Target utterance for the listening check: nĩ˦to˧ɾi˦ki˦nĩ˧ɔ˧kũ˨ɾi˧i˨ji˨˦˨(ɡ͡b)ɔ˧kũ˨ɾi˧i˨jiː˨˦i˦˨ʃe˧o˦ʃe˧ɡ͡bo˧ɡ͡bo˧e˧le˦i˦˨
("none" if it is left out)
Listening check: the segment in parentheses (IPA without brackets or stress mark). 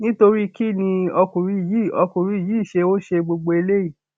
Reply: none